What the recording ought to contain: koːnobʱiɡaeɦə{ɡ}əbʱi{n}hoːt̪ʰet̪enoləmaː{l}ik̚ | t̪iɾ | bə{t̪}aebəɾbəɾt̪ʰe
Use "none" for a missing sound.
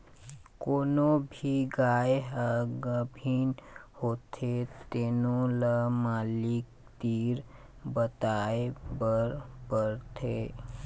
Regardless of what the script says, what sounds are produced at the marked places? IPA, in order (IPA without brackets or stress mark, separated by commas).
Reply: ɡ, n, l, t̪